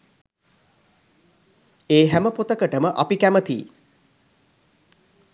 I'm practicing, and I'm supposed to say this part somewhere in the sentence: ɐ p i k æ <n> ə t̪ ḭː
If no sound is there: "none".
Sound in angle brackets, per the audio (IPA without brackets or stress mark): m